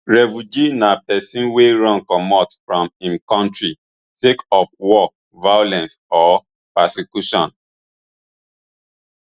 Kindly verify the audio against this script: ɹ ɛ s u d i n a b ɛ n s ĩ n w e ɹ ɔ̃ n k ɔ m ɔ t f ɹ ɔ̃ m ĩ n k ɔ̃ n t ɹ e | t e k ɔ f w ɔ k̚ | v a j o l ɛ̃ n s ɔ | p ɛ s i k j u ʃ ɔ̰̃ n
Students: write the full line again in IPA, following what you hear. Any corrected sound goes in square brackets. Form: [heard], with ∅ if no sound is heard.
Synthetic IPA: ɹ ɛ [f] u [d͡ʒ] i n a [p] ɛ [∅] s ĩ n w e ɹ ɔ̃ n k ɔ m ɔ t f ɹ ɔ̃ m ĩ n k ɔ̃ n t ɹ [i] | t e k ɔ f w ɔ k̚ | v a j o l ɛ̃ n s ɔ | p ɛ s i k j u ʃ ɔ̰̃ n